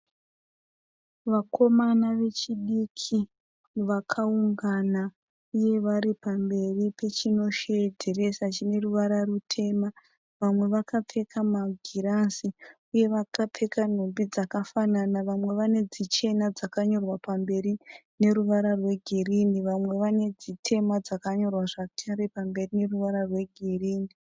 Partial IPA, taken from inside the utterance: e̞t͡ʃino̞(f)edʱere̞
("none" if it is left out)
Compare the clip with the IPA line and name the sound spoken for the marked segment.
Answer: ʃ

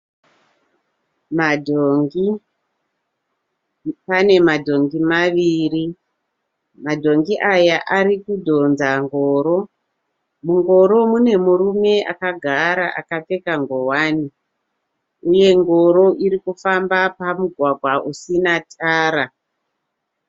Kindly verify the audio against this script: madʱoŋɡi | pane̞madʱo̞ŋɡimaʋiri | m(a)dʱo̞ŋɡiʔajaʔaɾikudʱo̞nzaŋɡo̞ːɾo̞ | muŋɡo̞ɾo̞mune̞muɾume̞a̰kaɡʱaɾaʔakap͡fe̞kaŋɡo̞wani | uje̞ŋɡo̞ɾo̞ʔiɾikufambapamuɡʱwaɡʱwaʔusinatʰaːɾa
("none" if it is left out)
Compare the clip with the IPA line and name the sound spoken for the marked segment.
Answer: a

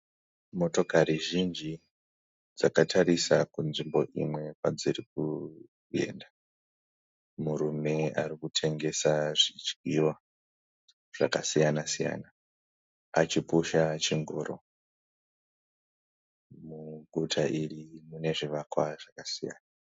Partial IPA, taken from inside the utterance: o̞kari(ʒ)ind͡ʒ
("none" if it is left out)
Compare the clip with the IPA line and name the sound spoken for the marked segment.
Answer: ʒ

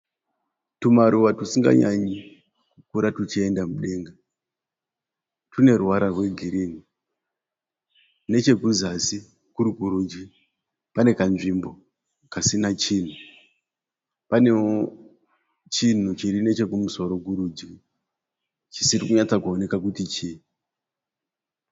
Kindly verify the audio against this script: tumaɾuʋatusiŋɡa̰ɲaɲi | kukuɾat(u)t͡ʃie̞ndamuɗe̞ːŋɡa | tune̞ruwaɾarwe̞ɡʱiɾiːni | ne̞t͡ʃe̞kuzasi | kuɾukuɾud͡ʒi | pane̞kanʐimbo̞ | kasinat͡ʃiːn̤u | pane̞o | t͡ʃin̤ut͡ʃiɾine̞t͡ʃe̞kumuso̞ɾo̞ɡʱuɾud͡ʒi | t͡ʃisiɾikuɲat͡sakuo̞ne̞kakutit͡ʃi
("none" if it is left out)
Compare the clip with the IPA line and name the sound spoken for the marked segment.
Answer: u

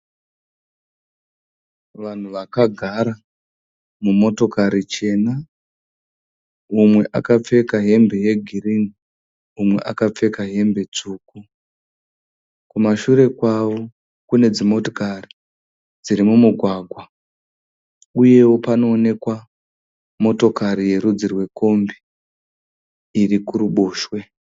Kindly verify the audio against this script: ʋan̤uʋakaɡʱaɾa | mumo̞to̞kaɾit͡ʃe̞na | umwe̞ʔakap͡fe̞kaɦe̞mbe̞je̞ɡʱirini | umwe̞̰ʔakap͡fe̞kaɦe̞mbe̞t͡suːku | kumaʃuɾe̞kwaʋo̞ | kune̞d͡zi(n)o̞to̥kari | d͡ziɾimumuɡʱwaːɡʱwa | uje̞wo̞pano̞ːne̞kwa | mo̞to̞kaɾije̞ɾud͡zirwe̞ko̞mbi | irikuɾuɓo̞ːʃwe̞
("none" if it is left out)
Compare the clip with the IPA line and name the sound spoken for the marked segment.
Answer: m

